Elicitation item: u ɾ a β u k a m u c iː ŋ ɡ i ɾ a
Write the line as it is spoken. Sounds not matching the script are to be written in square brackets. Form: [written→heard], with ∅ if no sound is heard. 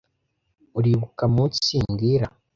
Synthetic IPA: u ɾ [a→i] β u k a m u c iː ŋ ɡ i ɾ a